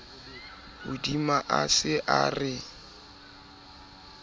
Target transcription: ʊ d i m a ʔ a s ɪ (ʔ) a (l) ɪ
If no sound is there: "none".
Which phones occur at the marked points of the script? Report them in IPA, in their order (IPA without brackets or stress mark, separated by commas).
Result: ʔ, r